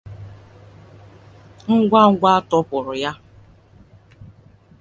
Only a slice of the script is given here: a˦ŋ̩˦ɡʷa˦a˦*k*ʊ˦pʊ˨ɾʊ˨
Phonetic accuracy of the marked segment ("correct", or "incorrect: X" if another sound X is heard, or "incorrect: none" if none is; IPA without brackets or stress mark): incorrect: t